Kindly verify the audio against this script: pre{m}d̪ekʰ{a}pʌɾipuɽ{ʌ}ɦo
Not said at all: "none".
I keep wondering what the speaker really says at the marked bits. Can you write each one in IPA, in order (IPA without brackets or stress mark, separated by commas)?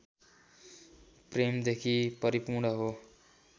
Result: m, i, ʌ